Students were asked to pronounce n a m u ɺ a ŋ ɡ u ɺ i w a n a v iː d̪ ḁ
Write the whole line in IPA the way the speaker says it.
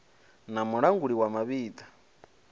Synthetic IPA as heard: n a m u ɺ a ŋ ɡ u ɺ i w a m a β iː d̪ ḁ